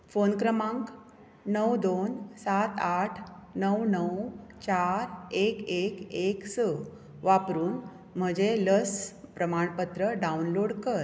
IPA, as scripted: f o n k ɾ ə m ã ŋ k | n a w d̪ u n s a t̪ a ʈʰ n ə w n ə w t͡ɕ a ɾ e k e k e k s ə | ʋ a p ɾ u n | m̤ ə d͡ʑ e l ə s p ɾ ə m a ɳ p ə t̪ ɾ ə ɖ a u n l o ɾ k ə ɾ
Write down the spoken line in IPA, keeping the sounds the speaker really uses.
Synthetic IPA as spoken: f o n k ɾ ə m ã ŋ k | n ə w d̪ o n s a t̪ a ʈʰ n ə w n ə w t͡ɕ a ɾ e k e k e k s ə | ʋ a p ɾ uː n | m̤ ə d͡ʑ e l ə s p ɾ ə m a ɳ p ə t̪ ɾ ə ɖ a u n l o ɽ k ə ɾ